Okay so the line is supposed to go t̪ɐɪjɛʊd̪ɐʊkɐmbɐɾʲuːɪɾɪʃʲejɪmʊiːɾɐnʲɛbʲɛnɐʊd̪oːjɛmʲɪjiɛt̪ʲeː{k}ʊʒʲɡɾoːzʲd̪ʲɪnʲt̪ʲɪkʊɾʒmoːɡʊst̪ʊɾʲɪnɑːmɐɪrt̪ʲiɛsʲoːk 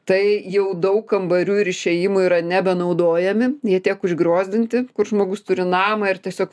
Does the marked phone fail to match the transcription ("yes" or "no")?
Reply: no